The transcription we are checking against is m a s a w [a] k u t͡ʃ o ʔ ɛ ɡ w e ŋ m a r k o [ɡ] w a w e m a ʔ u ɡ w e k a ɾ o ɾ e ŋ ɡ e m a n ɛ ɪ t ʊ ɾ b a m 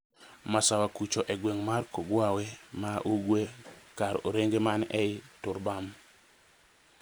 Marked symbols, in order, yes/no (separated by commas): yes, yes